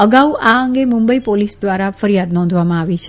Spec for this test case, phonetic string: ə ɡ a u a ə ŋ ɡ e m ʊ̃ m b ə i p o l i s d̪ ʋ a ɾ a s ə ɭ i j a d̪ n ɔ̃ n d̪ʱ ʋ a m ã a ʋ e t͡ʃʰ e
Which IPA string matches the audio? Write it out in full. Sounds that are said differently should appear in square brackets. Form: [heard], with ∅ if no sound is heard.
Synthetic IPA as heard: ə ɡ a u a ə ŋ ɡ e m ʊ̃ m b ə i p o l i s d̪ ʋ a ɾ a [f] ə [ɾ] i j a d̪ n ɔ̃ n d̪ʱ ʋ a m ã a ʋ [i] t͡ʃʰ e